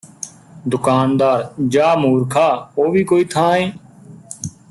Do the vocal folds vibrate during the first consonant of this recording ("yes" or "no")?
yes